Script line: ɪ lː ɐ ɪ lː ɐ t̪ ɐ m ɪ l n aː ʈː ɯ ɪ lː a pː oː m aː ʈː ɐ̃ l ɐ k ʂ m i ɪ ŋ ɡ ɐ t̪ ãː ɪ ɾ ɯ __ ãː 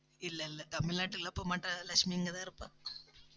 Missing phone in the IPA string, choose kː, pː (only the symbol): pː